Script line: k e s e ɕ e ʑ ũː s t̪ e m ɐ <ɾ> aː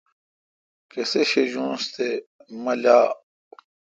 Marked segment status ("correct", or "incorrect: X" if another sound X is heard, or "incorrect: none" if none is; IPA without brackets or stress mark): incorrect: l